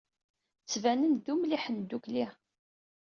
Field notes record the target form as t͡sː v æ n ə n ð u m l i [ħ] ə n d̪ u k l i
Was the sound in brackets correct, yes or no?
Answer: yes